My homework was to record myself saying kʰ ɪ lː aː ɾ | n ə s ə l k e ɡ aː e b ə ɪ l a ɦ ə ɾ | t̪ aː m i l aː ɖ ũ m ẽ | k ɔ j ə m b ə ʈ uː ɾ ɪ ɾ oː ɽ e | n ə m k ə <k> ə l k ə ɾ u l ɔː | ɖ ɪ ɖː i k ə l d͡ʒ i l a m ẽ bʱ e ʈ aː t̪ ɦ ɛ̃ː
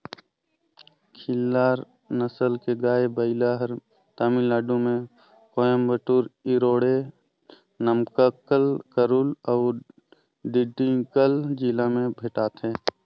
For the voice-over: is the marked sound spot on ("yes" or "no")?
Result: yes